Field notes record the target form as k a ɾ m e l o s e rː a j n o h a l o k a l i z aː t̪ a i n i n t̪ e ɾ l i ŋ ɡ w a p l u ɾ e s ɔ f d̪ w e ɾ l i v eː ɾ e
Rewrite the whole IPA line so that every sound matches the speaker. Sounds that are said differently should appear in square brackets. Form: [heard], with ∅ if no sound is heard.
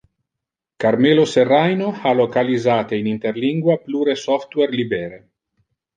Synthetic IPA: k a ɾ m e l o s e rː a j n o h a l o k a l i z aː t̪ [e] i n i n t̪ e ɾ l i ŋ ɡ w a p l u ɾ e s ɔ f [t̪] w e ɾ l i [b] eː ɾ e